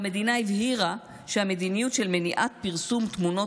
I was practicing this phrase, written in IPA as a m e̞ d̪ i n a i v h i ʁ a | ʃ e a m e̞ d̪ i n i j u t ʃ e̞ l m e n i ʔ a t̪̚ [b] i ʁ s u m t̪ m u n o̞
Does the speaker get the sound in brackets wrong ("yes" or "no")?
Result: yes